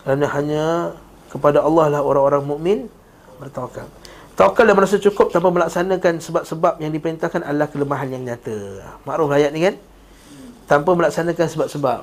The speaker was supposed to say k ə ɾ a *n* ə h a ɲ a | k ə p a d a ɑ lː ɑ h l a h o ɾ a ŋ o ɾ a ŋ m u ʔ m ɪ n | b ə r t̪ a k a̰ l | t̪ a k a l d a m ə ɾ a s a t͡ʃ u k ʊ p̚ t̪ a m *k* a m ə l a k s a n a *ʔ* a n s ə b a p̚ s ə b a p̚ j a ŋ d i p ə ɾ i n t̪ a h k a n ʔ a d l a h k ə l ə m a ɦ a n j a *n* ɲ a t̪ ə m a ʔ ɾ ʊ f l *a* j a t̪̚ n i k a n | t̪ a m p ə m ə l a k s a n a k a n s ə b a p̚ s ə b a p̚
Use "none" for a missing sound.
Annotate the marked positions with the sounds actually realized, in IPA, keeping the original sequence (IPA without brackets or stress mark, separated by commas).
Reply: n, p, k, ŋ, a